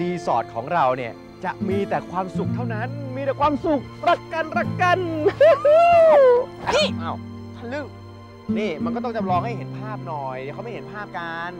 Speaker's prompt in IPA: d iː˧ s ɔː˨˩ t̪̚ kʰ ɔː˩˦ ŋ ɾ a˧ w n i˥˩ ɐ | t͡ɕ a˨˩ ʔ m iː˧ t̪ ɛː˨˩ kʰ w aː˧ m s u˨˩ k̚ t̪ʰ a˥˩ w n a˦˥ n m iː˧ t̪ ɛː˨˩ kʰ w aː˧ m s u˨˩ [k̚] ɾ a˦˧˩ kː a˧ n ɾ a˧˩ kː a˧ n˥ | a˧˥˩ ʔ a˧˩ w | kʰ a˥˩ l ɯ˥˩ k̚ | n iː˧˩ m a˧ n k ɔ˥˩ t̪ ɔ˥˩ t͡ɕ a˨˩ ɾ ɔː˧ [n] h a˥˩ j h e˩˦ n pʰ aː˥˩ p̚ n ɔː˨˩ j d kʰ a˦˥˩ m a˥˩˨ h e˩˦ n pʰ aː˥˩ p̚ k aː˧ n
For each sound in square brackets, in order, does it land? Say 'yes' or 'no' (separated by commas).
yes, no